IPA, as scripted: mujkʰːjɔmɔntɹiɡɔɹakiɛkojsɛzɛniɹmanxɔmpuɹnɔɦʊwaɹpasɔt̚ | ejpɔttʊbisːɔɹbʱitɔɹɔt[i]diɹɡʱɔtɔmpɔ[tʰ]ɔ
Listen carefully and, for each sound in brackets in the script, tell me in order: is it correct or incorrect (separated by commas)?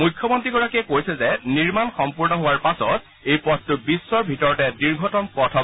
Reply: incorrect, correct